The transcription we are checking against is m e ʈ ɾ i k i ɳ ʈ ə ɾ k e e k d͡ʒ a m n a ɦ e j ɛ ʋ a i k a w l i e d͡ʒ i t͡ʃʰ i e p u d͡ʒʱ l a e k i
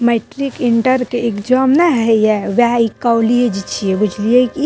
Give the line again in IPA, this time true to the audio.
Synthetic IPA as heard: m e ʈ ɾ i k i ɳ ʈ ə ɾ k e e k d͡ʒ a m n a ɦ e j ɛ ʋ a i k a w l i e d͡ʒ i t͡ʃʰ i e b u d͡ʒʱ l i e k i

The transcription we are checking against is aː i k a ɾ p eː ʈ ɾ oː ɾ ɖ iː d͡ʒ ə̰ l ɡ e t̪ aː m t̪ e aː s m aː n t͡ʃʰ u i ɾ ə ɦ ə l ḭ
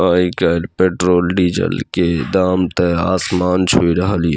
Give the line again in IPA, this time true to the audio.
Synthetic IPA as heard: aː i k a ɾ p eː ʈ ɾ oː l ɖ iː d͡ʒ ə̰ l k e d̪ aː m t̪ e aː s m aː n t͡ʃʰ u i ɾ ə ɦ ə l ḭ

